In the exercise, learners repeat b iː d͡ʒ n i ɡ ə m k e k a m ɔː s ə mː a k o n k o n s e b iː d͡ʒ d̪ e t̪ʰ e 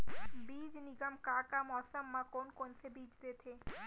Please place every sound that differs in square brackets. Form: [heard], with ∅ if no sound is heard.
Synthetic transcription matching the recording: b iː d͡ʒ n i ɡ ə m k [a] k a m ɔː s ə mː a k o n k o n s e b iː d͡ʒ d̪ e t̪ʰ e

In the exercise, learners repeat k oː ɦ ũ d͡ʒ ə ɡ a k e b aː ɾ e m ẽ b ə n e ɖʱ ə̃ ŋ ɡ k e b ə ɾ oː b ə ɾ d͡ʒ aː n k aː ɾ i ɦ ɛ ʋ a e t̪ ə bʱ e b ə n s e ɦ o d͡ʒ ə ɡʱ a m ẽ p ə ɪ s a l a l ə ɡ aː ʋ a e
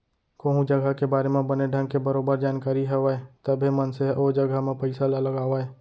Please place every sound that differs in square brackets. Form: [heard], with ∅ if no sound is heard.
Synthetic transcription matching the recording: k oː ɦ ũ d͡ʒ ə ɡ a k e b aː ɾ e m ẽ b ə n e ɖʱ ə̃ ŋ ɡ k e b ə ɾ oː b ə ɾ d͡ʒ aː n k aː ɾ i ɦ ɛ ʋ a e t̪ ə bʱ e [m] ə n s e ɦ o d͡ʒ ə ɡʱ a m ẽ p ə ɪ s a l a l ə ɡ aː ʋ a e

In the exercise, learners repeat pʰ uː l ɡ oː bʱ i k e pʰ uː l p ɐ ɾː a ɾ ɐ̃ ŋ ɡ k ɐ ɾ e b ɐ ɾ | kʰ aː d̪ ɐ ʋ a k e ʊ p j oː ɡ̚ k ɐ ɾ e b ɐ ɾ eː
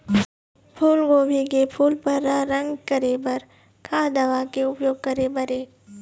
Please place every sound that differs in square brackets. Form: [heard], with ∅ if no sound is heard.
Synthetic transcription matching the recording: pʰ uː l ɡ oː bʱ i k e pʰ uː l p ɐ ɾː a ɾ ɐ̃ ŋ ɡ k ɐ ɾ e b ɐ ɾ | kʰ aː d̪ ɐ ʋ a k e ʊ p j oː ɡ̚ k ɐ ɾ e b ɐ ɾ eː

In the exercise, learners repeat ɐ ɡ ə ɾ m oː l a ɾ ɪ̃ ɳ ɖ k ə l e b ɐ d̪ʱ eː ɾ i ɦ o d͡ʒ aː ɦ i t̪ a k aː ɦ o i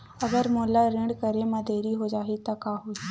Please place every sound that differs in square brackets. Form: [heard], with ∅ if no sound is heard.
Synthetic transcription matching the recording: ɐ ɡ ə ɾ m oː l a ɾ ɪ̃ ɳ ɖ k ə [ɾ] e [m] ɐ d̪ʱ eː ɾ i ɦ o d͡ʒ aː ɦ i t̪ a k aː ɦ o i

